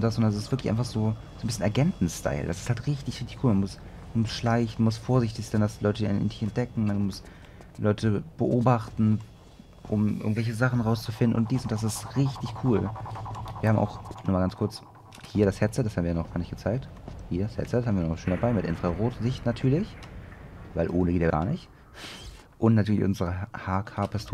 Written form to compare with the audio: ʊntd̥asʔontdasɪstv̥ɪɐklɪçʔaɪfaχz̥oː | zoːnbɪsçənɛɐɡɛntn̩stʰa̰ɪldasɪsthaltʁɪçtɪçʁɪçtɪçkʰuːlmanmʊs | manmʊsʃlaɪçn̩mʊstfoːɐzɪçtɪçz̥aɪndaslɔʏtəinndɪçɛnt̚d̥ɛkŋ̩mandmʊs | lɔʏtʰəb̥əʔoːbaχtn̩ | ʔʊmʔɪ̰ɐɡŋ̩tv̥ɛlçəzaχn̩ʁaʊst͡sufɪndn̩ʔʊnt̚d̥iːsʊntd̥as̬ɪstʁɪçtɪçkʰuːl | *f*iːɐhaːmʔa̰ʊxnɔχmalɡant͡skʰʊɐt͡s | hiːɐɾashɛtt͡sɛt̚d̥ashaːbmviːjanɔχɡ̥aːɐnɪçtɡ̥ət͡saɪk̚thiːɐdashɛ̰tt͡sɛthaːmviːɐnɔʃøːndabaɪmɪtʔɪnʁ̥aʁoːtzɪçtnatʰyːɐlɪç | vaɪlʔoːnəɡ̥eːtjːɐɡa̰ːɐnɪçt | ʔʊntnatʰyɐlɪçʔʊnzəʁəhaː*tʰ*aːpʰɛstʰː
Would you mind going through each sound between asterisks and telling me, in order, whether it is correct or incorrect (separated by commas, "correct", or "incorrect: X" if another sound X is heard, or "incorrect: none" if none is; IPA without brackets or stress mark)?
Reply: incorrect: v, incorrect: kʰ